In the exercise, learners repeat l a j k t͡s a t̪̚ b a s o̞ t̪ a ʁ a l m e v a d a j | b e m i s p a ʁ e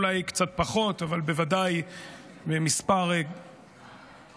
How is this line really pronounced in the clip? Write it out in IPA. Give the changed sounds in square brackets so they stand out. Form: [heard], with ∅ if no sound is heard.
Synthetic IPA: l a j k t͡s a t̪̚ [p] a [χ] o̞ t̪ a [v] a l [b] e v a d a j | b e m i s p a ʁ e